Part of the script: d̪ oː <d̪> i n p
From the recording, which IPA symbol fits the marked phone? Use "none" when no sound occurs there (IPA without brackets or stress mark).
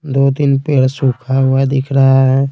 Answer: t̪